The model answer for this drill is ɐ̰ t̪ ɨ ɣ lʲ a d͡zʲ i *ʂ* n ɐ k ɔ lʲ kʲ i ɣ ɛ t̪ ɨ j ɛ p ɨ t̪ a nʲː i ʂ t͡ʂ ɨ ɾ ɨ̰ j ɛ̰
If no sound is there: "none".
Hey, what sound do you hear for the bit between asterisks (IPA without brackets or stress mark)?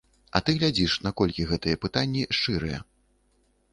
ʂ